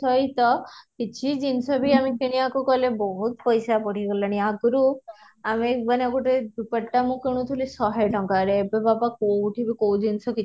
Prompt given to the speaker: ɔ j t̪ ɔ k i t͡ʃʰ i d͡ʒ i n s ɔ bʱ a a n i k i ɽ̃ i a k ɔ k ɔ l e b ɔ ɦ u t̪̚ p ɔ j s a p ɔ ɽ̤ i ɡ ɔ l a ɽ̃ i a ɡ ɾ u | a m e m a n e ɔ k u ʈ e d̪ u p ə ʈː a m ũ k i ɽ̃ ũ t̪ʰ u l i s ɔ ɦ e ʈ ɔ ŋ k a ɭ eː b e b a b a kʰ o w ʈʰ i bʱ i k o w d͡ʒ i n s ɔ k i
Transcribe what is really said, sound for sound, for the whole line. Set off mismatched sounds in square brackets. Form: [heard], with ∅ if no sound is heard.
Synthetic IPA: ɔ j t̪ ɔ k i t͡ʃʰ i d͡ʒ i n s ɔ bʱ [i] a [m] i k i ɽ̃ i a k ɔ k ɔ l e b ɔ ɦ u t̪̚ p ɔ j s a p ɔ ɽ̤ i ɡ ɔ l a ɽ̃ i a ɡ ɾ u | a m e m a n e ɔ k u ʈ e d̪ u p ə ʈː a m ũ k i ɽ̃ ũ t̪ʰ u l i s ɔ ɦ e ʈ ɔ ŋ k a [ɾ] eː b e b a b a [k] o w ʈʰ i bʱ i k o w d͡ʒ i n s ɔ k i